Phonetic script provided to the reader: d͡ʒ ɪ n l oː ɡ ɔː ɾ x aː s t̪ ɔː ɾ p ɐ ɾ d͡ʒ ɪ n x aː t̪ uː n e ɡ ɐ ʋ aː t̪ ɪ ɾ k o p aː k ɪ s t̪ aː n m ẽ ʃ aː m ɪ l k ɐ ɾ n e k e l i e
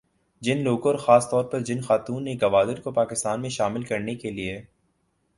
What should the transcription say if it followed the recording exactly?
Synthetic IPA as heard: d͡ʒ ɪ n l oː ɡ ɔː ɾ x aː s t̪ ɔː ɾ p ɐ ɾ d͡ʒ ɪ n x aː t̪ uː n e ɡ ɐ ʋ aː d̪ ɪ ɾ k o p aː k ɪ s t̪ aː n m ẽ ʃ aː m ɪ l k ɐ ɾ n e k e l i e